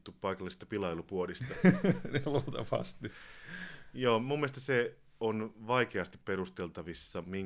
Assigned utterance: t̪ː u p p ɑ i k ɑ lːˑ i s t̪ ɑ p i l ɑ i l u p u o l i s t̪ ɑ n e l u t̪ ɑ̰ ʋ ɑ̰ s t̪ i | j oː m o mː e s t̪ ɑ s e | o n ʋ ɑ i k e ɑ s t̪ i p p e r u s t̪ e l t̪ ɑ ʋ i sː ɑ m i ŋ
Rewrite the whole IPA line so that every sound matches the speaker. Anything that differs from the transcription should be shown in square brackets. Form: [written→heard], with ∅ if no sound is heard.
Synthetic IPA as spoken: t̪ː u p p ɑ i k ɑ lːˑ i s t̪ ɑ p i l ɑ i l u p u o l i s t̪ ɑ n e l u t̪ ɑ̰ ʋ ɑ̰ s t̪ i | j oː m [o→u] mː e s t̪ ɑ s e | o n ʋ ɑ i k e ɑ s t̪ i p p e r u s t̪ e l t̪ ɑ ʋ i sː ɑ m i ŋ